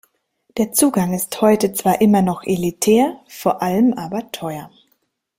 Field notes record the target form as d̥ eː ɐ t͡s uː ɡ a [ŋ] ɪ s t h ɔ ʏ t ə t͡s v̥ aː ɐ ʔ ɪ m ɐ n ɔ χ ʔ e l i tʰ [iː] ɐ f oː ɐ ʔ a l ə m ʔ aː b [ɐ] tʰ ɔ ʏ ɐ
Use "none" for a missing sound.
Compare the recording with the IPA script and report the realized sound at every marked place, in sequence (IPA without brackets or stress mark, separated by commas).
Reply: ŋ, ɛː, ɐ